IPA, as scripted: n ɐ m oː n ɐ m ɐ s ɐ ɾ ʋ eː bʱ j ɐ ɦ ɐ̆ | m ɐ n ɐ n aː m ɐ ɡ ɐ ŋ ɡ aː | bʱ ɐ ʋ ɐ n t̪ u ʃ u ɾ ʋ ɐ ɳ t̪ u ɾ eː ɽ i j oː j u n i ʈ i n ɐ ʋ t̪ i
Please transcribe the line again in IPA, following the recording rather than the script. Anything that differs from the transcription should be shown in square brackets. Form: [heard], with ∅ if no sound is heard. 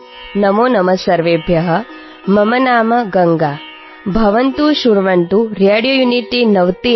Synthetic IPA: n ɐ m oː n ɐ m ɐ s ɐ ɾ ʋ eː bʱ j ɐ ɦ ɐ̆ | m ɐ [m] ɐ n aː m ɐ ɡ ɐ ŋ ɡ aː | bʱ ɐ ʋ ɐ n t̪ u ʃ u ɾ ʋ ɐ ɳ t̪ u ɾ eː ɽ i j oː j u n i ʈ i n ɐ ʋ t̪ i